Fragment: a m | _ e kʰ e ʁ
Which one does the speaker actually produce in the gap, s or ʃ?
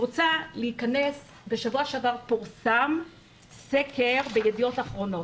s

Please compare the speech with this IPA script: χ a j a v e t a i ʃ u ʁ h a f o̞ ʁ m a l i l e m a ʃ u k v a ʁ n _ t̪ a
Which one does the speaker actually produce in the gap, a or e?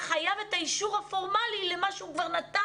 a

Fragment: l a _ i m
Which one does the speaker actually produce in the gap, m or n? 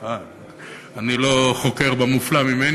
m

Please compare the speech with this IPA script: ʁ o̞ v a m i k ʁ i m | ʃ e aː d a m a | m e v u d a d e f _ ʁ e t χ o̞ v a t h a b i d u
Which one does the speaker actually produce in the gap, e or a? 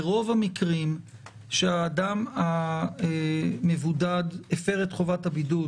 e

